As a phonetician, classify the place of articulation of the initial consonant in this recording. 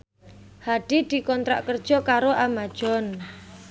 glottal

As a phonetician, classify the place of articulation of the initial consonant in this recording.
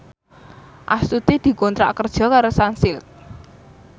glottal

